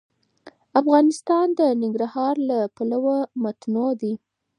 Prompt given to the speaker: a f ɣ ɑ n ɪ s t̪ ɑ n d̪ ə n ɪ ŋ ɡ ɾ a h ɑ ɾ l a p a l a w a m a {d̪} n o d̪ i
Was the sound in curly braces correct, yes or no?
no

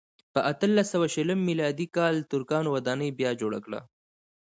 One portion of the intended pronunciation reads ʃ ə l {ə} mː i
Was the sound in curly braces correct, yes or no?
yes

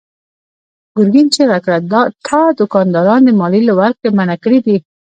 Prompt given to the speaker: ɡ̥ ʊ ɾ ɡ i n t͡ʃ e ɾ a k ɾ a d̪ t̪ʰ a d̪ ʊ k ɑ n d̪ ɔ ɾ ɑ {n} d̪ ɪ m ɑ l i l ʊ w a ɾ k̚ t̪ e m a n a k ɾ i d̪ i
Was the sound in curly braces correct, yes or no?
yes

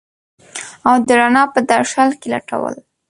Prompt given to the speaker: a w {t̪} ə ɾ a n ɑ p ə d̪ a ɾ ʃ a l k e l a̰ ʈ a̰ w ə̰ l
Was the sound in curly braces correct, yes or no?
no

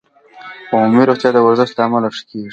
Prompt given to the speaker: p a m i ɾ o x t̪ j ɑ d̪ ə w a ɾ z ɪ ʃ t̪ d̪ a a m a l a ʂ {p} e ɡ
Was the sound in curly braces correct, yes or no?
no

